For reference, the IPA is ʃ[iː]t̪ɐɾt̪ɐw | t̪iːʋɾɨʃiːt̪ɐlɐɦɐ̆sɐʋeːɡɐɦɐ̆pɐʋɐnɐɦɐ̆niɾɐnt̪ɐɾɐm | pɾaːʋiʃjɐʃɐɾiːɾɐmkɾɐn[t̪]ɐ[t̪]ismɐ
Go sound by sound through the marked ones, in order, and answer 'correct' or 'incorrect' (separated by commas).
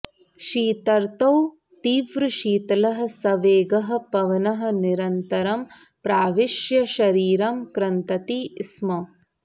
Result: correct, correct, correct